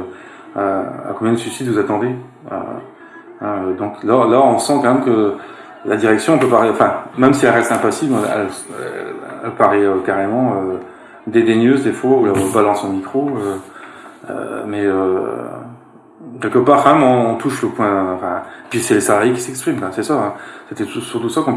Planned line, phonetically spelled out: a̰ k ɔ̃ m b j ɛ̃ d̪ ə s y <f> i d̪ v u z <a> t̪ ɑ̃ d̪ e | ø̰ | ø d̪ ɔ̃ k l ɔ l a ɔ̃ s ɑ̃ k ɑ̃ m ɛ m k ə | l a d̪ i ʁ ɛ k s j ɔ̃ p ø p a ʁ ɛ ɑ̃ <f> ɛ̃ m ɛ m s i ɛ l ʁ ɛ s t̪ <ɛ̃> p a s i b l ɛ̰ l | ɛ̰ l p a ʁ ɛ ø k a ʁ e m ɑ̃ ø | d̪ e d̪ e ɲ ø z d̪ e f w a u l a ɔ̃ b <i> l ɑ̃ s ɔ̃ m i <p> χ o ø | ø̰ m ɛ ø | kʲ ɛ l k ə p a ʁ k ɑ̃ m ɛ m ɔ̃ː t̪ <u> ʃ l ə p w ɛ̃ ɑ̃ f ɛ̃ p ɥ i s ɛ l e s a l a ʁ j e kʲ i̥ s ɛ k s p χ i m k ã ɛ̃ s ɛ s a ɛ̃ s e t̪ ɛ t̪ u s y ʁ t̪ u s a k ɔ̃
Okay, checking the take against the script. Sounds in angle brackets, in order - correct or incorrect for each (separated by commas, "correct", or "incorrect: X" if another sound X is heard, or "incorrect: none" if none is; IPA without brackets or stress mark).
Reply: incorrect: s, correct, correct, correct, incorrect: a, incorrect: k, correct